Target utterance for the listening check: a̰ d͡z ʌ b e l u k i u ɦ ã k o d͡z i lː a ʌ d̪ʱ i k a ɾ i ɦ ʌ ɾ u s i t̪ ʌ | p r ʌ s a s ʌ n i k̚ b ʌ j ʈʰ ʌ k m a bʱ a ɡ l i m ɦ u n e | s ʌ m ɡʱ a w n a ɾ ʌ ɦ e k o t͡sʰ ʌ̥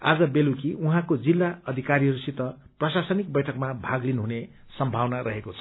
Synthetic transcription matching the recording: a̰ d͡z ʌ b e l u k i u ɦ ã k o d͡z i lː a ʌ d̪ʱ i k a ɾ i ɦ ʌ ɾ u s i t̪ ʌ | p r ʌ s a s ʌ n i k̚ b ʌ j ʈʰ ʌ k m a bʱ a ɡ l i n ɦ u n e | s ʌ m bʱ a w n a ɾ ʌ ɦ e k o t͡sʰ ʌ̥